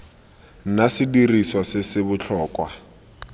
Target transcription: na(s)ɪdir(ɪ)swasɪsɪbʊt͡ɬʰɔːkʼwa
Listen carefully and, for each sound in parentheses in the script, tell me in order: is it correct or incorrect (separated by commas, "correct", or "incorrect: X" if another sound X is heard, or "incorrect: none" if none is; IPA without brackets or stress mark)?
correct, incorrect: i